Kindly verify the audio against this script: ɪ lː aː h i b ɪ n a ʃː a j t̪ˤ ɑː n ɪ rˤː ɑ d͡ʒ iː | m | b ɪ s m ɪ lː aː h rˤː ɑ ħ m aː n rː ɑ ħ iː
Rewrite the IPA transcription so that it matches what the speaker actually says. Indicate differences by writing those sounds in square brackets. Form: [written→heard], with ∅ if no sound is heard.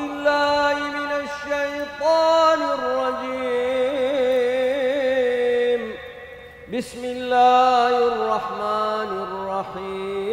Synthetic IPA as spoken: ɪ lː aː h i [b→m] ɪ n a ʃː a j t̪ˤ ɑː n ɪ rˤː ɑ d͡ʒ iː | m | b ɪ s m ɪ lː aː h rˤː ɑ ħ m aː n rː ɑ ħ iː